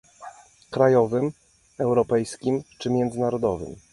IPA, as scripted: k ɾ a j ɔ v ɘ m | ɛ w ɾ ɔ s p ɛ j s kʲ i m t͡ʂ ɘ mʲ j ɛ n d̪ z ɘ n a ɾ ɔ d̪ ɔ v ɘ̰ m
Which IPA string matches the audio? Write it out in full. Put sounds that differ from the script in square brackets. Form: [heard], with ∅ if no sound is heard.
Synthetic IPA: k ɾ a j ɔ v ɘ m | ɛ w ɾ ɔ [∅] p ɛ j s kʲ i m t͡ʂ ɘ mʲ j ɛ n d̪ z ɘ n a ɾ ɔ d̪ ɔ v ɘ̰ m